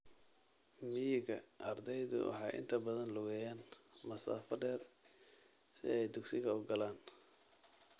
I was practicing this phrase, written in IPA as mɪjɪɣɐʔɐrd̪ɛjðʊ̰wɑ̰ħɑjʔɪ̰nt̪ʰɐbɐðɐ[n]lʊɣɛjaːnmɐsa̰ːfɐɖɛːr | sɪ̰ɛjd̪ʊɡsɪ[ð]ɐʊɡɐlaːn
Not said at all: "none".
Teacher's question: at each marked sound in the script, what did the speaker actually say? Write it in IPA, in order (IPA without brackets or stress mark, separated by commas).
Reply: n, ɣ